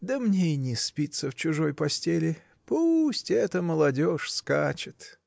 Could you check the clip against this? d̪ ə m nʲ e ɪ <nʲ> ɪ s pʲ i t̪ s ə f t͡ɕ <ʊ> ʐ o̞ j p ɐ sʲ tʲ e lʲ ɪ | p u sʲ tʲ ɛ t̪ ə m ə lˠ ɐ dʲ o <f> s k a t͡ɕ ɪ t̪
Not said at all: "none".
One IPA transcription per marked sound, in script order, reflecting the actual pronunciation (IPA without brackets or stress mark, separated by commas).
nʲ, ʊ, ʂ